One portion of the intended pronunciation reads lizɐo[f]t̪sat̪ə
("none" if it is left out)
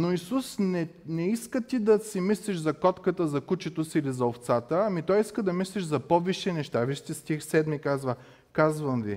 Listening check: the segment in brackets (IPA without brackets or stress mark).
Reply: f